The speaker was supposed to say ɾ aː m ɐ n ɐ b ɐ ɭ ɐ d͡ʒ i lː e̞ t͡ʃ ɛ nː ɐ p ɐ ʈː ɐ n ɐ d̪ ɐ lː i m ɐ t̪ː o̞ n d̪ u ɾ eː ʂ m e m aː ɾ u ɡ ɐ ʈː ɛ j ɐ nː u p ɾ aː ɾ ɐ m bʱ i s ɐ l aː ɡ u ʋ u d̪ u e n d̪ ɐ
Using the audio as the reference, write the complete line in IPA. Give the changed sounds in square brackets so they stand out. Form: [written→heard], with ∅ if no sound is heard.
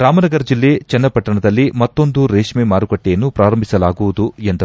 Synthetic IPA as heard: ɾ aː m ɐ n ɐ [b→ɡ] ɐ [ɭ→ɾ] ɐ d͡ʒ i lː e̞ t͡ʃ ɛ nː ɐ p ɐ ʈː ɐ [n→ɳ] ɐ d̪ ɐ lː i m ɐ t̪ː o̞ n d̪ u ɾ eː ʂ m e m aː ɾ u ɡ ɐ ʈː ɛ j ɐ nː u p ɾ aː ɾ ɐ m bʱ i s ɐ l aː ɡ u ʋ u d̪ u e n d̪ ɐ